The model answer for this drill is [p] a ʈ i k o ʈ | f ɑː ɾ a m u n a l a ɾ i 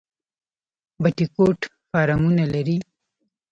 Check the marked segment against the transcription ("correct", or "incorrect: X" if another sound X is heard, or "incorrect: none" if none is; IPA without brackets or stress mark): incorrect: b